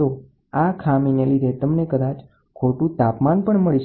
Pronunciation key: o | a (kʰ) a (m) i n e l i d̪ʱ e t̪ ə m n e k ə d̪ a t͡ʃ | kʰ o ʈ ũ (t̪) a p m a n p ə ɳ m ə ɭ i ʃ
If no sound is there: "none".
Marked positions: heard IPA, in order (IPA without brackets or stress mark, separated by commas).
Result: kʰ, m, t̪